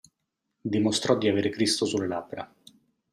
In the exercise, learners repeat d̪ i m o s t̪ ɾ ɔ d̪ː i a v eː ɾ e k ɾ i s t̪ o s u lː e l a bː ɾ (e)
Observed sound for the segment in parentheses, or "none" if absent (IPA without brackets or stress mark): a